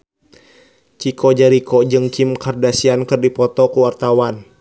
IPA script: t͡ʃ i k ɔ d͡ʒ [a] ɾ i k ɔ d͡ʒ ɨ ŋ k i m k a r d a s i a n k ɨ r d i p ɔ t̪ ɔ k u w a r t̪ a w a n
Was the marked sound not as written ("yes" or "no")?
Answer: no